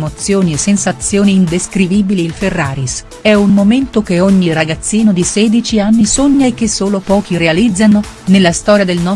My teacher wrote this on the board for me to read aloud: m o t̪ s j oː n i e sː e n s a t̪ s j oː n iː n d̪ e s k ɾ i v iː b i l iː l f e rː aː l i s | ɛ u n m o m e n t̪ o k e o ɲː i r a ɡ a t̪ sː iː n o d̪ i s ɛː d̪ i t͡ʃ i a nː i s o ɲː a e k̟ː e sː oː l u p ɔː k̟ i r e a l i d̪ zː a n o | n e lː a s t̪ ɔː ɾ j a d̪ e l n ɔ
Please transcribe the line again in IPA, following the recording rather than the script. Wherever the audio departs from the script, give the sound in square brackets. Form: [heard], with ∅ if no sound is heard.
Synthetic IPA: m o t̪ s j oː n i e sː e n s a t̪ s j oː n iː n d̪ e s k ɾ i v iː b i l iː l f e rː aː [ɾ] i s | ɛ u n m o m e n t̪ o k e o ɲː i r a ɡ a t̪ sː iː n o d̪ i s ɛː d̪ i t͡ʃ i a nː i s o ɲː a e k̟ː e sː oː l [o] p ɔː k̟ i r e a l i d̪ zː a n o | n e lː a s t̪ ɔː ɾ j a d̪ e l n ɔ